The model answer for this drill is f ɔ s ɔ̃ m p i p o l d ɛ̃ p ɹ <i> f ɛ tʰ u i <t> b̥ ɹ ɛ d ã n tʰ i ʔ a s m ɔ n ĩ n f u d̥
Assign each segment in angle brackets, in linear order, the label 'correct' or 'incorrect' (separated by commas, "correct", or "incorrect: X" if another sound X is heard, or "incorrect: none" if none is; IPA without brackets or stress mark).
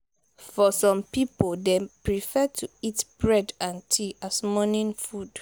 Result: correct, correct